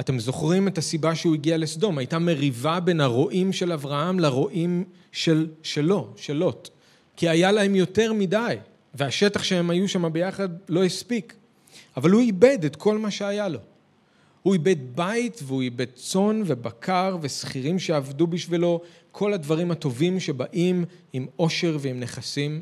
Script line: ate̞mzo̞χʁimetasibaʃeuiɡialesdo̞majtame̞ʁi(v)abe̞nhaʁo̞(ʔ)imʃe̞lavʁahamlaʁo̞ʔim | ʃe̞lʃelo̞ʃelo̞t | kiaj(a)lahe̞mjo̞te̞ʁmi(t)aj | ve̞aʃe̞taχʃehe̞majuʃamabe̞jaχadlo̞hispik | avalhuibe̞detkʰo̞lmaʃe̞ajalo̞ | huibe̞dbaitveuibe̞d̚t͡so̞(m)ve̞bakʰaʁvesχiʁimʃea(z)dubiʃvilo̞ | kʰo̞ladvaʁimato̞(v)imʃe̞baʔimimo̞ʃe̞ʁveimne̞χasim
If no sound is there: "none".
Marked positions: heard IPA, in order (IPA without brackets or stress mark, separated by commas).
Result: v, ʔ, a, d, n, v, v